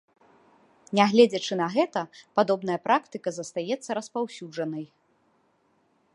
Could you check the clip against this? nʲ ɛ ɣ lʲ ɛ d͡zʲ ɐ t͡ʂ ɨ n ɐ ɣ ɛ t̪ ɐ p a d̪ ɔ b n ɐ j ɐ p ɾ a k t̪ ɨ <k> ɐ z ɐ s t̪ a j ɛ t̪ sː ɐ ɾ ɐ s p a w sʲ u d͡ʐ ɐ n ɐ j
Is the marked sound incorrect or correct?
correct